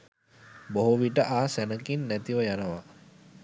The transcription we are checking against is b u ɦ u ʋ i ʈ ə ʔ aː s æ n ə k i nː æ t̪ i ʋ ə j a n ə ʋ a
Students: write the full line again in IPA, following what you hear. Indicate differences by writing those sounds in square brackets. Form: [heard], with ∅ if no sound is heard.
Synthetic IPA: b [o] ɦ u ʋ i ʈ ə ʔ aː s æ n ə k i nː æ t̪ i ʋ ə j a n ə ʋ a